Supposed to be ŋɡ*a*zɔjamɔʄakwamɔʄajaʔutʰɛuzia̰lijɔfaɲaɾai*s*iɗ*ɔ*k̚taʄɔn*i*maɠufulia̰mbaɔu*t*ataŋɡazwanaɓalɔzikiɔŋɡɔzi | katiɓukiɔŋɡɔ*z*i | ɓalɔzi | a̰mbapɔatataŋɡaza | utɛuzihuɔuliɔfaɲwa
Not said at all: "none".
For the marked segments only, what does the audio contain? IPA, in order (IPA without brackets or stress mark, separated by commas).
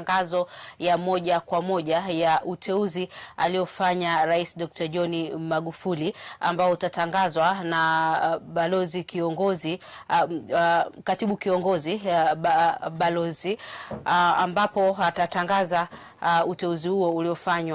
a, s, ɔ, i, t, z